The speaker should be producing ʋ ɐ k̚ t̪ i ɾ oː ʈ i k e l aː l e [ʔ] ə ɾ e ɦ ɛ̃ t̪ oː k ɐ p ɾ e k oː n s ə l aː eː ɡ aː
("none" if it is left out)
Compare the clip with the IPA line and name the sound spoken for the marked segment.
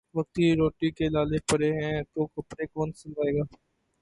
p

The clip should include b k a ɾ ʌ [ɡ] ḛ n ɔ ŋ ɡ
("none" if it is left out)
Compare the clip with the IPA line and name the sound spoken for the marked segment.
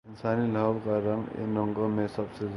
ŋ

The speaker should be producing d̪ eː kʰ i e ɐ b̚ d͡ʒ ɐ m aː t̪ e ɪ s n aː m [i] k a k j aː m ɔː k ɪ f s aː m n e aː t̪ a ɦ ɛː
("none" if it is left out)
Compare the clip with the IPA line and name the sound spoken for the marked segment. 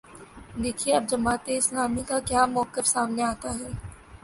i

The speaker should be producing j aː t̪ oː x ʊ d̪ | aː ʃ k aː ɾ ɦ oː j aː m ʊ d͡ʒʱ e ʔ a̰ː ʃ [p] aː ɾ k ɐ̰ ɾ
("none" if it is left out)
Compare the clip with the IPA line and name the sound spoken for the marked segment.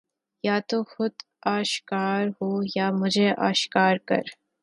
k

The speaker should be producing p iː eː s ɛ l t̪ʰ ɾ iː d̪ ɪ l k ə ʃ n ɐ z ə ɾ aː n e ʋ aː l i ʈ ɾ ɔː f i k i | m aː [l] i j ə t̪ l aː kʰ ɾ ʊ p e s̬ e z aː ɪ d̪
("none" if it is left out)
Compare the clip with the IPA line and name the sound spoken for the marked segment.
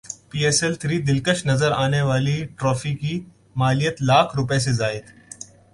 l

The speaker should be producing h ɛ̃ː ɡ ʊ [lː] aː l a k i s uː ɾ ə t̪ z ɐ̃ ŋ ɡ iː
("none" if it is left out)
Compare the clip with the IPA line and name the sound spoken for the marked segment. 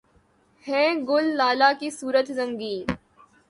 lː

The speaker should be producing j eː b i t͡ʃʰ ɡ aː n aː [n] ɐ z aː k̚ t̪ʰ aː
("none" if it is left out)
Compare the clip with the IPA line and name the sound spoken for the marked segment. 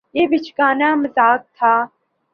m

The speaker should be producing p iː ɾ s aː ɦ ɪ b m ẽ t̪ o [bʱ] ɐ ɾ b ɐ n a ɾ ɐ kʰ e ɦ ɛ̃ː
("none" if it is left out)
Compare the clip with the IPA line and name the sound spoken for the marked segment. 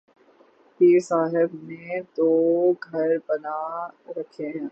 ɡʱ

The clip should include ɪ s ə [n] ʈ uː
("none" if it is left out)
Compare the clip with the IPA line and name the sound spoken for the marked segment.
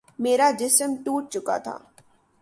m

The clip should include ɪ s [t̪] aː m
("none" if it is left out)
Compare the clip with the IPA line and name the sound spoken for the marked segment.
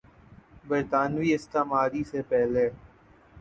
t̪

